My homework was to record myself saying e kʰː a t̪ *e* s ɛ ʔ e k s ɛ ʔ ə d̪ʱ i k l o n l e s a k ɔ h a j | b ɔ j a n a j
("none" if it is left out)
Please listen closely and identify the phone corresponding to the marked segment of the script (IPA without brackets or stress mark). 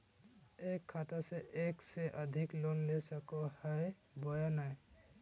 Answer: a